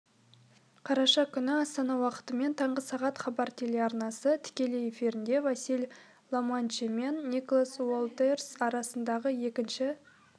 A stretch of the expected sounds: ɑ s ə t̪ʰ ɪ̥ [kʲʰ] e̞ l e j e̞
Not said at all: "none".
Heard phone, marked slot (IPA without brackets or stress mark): kʲ